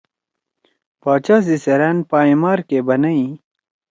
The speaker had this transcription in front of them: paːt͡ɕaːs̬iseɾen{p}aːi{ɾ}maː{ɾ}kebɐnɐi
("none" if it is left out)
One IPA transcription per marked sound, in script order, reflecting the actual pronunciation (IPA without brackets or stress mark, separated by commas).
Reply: p, none, ɾ